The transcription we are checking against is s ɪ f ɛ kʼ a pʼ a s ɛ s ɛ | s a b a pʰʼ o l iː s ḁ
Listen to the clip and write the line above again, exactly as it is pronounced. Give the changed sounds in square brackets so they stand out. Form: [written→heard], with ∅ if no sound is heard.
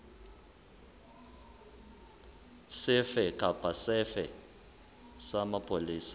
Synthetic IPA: s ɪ f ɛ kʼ a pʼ a s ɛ [s→f] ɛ | s a [b→m] a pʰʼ o l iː s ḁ